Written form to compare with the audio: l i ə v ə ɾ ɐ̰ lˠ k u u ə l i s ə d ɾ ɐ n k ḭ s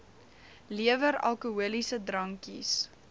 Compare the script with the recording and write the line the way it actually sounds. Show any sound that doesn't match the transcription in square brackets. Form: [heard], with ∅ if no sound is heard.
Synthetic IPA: l i ə v ə ɾ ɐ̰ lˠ k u u ə l i s ə d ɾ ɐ [ŋ] k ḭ s